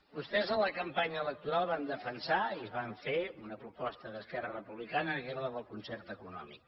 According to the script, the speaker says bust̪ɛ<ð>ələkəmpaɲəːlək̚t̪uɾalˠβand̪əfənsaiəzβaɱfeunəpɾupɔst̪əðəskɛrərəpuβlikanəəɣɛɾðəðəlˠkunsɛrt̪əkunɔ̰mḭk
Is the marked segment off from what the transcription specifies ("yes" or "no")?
yes